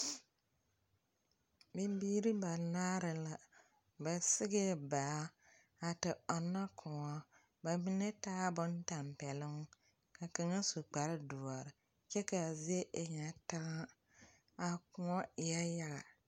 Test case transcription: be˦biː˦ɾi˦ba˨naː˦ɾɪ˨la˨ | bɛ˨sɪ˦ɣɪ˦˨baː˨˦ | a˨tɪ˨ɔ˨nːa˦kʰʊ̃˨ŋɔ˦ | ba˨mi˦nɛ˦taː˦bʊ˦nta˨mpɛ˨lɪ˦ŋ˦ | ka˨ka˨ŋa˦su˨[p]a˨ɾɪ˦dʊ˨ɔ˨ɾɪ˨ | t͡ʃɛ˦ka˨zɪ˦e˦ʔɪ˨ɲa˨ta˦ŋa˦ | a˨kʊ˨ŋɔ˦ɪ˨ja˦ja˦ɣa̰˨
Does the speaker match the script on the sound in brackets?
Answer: no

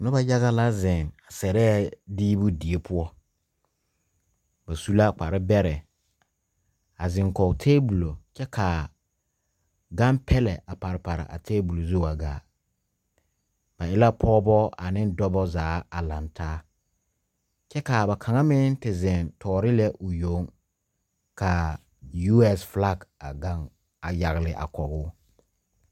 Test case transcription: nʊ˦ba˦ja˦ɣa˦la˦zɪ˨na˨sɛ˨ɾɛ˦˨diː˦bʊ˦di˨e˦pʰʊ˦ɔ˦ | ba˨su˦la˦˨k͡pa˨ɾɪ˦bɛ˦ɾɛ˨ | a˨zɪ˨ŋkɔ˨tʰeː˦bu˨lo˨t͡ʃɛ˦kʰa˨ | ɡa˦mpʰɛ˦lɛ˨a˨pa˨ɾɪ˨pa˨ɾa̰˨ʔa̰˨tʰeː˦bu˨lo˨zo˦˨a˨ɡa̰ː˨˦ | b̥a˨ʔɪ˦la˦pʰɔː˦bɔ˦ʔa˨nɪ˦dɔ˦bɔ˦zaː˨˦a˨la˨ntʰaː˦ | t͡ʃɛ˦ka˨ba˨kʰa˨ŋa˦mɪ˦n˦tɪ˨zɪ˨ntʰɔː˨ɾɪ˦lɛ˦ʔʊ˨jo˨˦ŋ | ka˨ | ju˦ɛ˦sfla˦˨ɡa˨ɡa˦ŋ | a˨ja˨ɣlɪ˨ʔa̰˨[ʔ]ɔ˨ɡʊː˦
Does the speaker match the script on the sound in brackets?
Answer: no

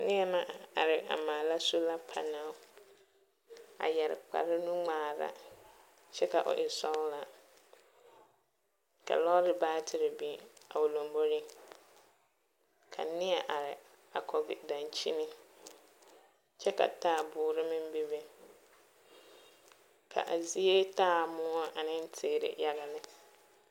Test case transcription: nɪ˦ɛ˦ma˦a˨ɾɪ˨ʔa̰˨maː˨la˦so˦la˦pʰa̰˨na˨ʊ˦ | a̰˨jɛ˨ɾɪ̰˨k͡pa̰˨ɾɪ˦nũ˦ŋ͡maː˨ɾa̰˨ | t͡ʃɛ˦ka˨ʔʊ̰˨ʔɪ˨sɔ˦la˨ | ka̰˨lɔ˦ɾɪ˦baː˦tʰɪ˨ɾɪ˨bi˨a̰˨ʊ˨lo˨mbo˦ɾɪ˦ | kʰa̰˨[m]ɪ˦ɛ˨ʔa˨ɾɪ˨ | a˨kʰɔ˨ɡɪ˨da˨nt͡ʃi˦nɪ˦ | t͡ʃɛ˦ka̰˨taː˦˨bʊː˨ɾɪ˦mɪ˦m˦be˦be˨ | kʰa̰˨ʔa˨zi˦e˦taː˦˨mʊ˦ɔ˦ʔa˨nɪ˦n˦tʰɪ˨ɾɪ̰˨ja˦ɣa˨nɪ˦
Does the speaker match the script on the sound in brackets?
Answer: no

